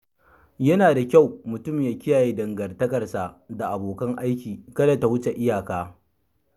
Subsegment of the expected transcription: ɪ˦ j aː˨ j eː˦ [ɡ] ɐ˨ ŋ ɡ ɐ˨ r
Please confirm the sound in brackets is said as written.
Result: no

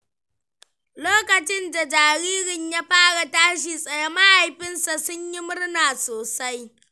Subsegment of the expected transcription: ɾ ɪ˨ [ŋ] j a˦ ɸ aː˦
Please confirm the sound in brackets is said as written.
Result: no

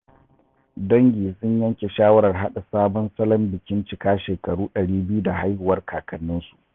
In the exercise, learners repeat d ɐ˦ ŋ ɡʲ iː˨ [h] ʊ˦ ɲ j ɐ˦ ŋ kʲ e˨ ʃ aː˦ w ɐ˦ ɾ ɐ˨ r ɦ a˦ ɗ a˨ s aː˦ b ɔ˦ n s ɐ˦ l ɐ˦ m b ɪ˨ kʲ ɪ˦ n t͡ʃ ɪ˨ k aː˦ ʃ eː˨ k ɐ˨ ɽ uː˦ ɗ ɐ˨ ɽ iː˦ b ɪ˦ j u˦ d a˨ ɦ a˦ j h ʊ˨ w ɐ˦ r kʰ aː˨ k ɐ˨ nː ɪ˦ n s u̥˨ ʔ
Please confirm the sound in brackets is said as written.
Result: no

